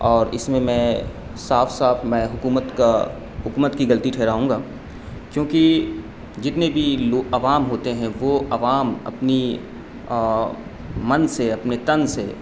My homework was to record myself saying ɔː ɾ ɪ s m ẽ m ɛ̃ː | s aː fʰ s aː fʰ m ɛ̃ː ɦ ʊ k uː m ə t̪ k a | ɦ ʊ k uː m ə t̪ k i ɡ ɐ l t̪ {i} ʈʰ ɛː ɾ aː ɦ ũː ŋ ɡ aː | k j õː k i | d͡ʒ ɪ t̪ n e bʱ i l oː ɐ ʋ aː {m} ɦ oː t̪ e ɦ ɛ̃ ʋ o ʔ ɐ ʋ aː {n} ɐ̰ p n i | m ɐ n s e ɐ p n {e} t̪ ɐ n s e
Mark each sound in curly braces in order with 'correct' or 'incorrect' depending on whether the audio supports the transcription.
correct, correct, incorrect: m, correct

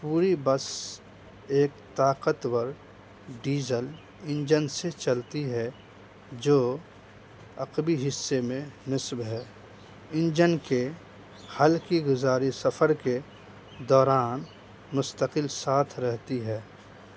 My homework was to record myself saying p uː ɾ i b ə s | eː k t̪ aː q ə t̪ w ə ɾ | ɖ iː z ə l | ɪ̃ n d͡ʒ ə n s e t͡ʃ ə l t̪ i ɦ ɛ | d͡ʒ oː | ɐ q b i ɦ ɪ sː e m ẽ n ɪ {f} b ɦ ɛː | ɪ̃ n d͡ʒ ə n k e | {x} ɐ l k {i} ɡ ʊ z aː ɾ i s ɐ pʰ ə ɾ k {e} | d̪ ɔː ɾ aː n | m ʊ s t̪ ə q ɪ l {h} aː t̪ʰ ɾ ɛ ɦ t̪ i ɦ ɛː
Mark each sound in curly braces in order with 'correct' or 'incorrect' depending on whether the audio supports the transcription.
incorrect: s, incorrect: h, correct, correct, incorrect: s

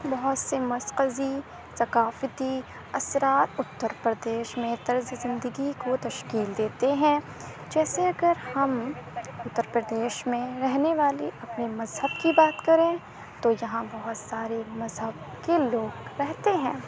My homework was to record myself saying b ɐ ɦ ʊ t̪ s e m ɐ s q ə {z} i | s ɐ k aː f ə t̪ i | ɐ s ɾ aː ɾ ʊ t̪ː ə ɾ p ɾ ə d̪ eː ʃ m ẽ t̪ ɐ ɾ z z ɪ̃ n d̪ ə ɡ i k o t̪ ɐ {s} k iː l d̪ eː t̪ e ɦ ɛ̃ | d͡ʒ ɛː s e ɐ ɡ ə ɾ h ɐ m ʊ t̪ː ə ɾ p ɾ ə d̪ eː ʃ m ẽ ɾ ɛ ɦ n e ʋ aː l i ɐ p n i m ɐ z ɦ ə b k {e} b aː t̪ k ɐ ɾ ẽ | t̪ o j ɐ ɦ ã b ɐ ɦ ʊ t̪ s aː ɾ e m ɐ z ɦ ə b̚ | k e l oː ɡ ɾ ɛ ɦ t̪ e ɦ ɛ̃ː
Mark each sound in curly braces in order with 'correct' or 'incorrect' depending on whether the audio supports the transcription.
correct, incorrect: ʃ, incorrect: i

